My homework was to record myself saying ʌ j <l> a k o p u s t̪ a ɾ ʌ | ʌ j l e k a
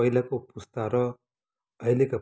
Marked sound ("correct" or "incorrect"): correct